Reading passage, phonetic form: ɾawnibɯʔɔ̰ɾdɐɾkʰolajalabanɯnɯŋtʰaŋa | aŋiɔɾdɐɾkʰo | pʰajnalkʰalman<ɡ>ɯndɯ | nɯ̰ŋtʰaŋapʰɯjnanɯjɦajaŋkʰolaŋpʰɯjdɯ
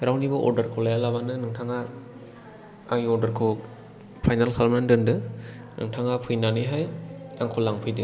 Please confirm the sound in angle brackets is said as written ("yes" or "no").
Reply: no